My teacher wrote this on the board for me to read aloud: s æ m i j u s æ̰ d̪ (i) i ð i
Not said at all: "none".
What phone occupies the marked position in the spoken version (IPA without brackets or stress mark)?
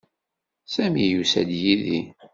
j